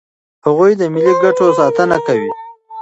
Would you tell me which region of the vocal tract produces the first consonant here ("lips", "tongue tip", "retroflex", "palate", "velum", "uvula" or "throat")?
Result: throat